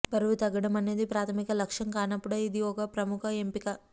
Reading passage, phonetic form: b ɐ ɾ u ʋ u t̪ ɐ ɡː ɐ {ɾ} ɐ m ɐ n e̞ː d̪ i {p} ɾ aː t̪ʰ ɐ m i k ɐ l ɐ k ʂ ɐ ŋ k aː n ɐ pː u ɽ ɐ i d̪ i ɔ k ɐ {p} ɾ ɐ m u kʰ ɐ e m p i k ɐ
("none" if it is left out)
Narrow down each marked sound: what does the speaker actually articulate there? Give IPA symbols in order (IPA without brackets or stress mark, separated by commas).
ɽ, p, p